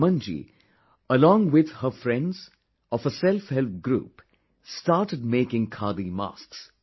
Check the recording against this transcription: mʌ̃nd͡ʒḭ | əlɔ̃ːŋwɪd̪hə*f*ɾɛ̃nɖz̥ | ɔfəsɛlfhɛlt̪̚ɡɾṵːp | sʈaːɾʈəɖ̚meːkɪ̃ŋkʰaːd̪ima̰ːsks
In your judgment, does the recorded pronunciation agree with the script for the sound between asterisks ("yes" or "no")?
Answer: yes